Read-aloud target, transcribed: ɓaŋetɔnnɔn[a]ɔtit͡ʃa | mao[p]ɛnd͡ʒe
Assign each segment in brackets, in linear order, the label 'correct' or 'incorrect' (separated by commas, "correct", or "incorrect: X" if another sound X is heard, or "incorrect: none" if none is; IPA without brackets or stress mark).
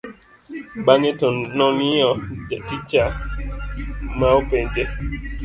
incorrect: i, correct